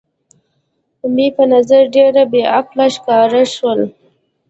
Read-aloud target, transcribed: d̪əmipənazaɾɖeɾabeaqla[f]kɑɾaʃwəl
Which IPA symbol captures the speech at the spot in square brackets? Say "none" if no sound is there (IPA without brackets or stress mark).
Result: ʃ